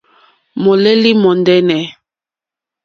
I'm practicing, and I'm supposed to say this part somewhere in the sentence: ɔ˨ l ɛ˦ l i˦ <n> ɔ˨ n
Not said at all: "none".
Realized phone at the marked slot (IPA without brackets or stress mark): m